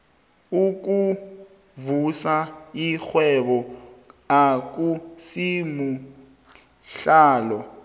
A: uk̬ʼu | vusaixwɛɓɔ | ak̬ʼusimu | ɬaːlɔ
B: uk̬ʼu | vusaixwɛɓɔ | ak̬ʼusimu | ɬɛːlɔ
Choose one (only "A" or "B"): A